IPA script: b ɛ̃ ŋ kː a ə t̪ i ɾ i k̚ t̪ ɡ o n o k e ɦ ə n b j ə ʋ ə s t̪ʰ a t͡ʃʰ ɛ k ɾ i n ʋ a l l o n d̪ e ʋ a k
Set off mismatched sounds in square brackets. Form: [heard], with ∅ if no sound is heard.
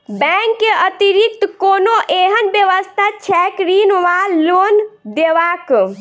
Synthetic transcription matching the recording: b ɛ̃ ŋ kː [e] ə t̪ i ɾ i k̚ t̪ [k] o n o [ʔ] e ɦ ə n b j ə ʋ ə s t̪ʰ a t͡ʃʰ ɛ k ɾ i n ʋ a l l o n d̪ e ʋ a k